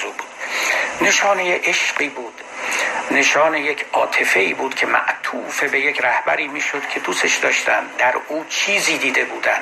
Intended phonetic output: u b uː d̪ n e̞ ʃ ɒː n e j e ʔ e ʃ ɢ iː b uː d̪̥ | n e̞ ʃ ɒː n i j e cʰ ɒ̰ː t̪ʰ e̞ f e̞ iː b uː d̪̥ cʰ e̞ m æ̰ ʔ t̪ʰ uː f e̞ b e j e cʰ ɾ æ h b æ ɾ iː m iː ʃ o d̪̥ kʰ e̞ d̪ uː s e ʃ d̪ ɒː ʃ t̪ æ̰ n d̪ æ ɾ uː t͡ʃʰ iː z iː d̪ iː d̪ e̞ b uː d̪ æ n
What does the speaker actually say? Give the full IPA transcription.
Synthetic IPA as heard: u b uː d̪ n e̞ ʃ ɒː n e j e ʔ e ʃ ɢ iː b uː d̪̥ | n e̞ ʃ ɒː n e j e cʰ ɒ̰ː t̪ʰ e̞ f e̞ iː b uː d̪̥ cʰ e̞ m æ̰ ʔ t̪ʰ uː f e̞ b e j e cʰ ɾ æ h b æ ɾ iː m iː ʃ o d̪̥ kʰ e̞ d̪ uː s e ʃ d̪ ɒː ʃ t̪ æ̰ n d̪ æ ɾ uː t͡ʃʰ iː z iː d̪ iː d̪ e̞ b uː d̪ æ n